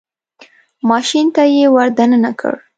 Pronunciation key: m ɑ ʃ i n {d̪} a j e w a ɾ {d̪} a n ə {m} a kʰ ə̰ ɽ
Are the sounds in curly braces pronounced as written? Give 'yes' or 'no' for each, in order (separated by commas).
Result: no, yes, no